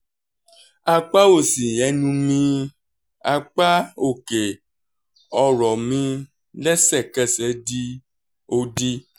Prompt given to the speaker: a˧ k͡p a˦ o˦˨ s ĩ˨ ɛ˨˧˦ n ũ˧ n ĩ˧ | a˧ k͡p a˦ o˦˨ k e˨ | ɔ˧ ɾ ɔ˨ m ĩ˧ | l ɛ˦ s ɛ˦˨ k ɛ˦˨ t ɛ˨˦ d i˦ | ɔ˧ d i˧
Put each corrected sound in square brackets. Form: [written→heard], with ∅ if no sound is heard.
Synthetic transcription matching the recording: a˧ k͡p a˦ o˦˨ s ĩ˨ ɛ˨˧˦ n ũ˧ [n→m] ĩ˧ | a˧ k͡p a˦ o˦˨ k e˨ | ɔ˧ ɾ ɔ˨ m ĩ˧ | l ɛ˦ s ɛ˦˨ k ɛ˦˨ [t→s] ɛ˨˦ d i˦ | [ɔ˧→o˧] d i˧

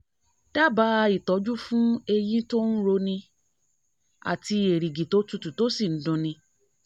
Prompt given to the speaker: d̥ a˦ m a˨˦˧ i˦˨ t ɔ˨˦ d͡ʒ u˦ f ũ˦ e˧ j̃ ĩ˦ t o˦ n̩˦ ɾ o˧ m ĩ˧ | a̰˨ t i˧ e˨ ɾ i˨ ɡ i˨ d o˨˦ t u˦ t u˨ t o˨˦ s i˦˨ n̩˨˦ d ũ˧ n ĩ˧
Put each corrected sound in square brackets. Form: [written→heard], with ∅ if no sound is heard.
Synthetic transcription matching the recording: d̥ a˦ [m→b] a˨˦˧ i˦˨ t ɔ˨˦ d͡ʒ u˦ f ũ˦ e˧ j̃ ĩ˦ t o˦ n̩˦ ɾ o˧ [m→n] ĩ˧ | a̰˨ t i˧ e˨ ɾ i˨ ɡ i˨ [d→t] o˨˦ t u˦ t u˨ t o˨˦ s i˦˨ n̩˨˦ d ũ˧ n ĩ˧

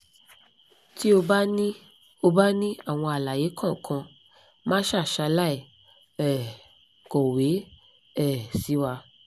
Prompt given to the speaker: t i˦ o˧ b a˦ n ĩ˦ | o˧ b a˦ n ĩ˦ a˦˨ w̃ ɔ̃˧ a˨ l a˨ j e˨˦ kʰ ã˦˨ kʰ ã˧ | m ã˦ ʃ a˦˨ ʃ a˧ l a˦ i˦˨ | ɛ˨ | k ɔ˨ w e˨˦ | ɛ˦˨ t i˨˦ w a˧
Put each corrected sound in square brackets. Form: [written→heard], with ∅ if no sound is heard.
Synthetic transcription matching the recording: t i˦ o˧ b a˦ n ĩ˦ | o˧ b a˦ n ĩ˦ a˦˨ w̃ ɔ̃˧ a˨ l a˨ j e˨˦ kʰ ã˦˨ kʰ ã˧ | m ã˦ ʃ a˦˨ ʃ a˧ l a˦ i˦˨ | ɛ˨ | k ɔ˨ w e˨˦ | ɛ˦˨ [t→s] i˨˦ w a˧

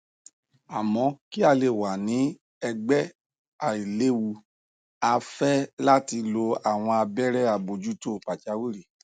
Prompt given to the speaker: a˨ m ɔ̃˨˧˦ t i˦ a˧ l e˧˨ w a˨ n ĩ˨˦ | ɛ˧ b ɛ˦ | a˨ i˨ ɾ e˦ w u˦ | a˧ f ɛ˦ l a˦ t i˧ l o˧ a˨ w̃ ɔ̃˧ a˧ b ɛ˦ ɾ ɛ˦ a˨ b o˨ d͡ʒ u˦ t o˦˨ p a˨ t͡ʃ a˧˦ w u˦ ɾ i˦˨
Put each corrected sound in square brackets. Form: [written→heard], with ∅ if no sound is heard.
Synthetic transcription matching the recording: a˨ m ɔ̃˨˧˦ [t→k] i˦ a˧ l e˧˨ w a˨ n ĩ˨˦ | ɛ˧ [b→ɡ͡b] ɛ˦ | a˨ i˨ [ɾ→l] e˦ w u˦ | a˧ f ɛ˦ l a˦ t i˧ l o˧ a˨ w̃ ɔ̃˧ a˧ b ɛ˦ ɾ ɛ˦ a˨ b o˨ d͡ʒ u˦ t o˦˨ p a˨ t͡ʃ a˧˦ w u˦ ɾ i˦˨

